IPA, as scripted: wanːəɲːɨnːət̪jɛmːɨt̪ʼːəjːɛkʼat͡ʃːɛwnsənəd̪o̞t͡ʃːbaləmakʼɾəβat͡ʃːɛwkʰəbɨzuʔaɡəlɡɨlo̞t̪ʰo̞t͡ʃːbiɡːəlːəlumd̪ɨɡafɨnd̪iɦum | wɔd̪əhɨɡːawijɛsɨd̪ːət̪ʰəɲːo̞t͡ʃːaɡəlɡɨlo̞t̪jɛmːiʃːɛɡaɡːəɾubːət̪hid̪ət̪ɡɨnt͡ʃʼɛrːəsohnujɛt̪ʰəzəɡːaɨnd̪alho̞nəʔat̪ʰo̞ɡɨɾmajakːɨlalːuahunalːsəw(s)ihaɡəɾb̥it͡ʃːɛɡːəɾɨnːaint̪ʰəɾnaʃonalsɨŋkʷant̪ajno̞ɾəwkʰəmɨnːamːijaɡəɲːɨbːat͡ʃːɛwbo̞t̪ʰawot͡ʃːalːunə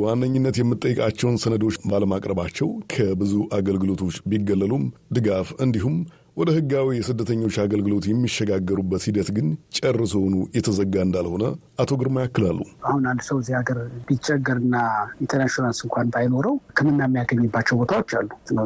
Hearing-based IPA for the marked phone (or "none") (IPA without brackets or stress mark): z